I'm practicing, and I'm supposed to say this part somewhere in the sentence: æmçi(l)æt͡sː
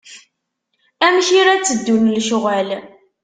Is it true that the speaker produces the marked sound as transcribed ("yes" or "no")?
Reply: no